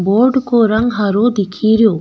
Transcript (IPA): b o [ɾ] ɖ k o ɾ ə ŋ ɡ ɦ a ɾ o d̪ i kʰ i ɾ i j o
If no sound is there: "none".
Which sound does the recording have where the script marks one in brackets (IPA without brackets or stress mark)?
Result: ɾ